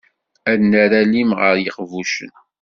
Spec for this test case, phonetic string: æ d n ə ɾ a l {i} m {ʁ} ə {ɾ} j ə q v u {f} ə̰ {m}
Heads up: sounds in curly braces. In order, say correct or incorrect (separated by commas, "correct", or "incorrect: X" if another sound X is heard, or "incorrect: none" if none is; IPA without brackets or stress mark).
correct, correct, correct, incorrect: ʃ, incorrect: n